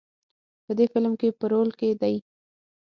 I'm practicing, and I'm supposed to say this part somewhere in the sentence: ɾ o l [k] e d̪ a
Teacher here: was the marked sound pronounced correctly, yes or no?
yes